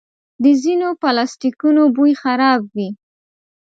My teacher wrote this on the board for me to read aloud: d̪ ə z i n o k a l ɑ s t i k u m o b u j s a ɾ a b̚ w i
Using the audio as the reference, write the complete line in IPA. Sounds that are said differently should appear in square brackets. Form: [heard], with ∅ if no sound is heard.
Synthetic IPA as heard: d̪ ə z i n o [p] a l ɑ s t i k u [n] o b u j [x] a ɾ [ɑ] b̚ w i